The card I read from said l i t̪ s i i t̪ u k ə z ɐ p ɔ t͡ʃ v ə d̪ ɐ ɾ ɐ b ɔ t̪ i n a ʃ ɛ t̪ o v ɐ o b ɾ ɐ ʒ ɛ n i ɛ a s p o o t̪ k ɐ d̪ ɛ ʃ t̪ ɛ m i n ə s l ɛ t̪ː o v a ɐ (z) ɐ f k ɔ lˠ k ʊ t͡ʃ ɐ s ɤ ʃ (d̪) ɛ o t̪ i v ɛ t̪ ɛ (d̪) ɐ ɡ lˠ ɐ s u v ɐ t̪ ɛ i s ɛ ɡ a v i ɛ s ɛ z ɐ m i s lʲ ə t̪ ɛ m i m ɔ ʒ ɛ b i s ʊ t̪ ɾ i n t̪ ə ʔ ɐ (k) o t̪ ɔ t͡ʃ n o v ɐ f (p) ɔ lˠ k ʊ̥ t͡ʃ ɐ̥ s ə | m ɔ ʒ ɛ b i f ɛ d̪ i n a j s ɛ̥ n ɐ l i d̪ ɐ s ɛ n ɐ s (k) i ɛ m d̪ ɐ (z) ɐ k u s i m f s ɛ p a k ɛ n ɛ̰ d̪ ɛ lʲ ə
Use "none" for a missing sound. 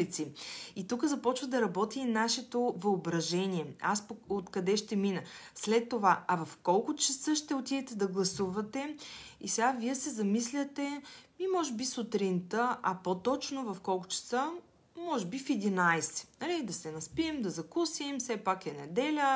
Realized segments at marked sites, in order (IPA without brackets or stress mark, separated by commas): v, t̪, d̪, p, k, p, z